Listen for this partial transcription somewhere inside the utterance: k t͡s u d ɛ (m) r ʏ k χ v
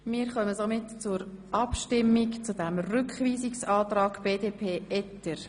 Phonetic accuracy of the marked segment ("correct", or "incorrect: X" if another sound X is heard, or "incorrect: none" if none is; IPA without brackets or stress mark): correct